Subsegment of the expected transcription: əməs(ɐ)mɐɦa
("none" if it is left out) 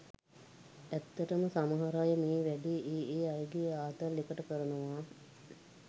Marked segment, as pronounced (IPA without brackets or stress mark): a